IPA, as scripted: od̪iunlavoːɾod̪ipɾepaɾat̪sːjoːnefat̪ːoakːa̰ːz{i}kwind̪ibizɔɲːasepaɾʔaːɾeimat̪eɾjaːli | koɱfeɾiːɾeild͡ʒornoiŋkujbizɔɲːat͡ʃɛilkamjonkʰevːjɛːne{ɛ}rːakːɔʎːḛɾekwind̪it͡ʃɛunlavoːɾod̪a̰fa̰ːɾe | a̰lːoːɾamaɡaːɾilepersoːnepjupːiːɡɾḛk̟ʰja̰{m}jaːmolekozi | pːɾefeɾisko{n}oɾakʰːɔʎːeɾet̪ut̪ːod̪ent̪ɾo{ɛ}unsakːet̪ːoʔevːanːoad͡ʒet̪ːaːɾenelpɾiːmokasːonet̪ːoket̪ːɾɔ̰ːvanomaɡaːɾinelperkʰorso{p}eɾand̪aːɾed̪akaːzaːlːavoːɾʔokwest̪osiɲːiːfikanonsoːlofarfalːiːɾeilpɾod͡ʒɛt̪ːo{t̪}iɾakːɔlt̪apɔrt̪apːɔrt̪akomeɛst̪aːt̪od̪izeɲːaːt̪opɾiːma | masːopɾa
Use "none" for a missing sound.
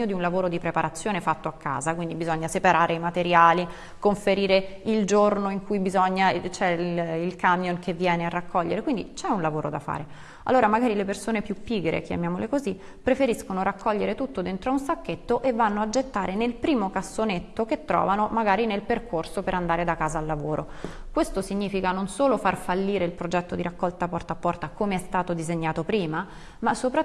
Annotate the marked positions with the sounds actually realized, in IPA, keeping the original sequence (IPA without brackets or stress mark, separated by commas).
a, a, m, n, a, p, d̪